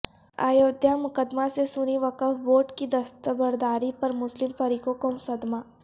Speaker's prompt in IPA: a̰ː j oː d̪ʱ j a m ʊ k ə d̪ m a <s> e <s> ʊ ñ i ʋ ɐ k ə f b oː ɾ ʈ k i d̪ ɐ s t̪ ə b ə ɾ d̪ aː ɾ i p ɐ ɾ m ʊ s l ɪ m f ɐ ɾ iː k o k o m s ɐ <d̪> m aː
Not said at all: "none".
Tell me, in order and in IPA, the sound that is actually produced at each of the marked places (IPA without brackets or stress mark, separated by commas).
s, s, d̪